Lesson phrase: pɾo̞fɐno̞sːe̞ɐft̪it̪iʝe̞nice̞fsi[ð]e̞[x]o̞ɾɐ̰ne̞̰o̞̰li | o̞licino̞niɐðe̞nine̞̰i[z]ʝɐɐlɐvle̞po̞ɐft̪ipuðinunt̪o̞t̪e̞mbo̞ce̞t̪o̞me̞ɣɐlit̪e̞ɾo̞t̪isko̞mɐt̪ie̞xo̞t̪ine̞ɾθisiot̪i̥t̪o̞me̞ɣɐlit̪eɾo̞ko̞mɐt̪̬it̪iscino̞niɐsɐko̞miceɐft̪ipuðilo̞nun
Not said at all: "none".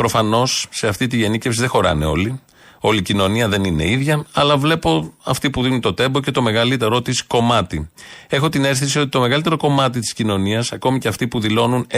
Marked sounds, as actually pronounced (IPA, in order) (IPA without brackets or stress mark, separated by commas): ð, x, ð